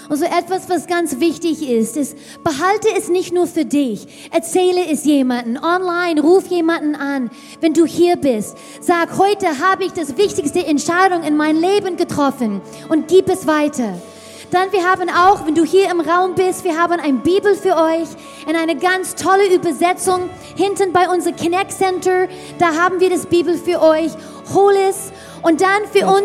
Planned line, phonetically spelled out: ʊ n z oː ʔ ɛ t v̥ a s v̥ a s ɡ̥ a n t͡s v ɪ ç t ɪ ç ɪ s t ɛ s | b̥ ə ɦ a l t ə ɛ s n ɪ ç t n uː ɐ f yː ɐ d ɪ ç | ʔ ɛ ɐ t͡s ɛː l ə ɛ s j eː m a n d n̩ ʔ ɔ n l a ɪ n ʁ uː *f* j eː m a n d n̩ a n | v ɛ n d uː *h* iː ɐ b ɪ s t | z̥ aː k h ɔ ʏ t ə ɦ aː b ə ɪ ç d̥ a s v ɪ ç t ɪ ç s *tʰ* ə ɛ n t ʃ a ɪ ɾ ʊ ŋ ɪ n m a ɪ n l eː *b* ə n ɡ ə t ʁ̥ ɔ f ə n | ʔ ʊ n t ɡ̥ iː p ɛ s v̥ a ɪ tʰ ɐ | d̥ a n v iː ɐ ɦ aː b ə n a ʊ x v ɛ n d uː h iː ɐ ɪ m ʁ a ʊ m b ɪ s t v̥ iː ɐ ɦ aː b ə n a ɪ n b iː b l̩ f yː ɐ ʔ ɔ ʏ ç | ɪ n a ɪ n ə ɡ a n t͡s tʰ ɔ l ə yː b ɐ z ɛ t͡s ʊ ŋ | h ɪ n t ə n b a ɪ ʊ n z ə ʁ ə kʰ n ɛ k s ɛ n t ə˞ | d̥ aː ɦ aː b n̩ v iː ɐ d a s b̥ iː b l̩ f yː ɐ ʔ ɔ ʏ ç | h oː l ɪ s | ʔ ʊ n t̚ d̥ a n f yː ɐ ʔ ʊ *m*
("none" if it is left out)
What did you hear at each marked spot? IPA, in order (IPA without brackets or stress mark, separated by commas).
f, h, t, b, n